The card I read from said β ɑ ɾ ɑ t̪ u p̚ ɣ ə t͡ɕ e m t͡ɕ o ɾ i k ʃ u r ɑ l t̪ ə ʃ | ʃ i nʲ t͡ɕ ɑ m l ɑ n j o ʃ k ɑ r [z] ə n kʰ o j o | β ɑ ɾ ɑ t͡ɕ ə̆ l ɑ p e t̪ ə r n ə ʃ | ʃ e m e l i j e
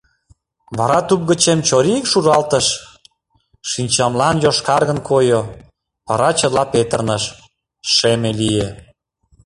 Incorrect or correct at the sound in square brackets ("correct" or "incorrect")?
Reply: incorrect